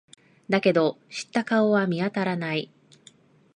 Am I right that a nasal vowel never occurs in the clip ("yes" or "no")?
yes